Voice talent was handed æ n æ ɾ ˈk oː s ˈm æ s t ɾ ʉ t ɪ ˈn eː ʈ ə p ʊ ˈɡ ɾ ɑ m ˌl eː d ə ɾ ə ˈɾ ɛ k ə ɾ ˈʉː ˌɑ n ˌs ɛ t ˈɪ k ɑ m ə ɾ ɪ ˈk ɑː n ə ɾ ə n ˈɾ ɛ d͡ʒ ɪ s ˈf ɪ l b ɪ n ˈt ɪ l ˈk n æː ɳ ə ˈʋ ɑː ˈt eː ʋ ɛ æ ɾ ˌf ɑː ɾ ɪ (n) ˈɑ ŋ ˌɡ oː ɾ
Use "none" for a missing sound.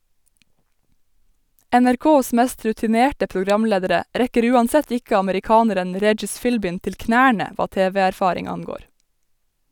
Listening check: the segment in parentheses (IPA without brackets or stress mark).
ŋ